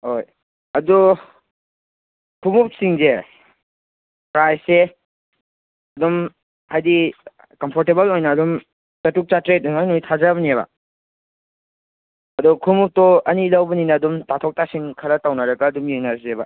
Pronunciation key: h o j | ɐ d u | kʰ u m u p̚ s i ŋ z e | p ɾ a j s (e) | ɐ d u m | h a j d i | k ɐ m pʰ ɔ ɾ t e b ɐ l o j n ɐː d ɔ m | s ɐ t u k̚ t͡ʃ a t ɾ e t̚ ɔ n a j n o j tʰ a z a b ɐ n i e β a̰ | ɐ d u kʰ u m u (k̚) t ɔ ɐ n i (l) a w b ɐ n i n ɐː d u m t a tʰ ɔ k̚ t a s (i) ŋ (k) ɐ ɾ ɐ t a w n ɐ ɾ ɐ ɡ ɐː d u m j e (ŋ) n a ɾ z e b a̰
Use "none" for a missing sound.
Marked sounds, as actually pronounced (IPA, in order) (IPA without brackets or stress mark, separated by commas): e, p̚, l, i, kʰ, ŋ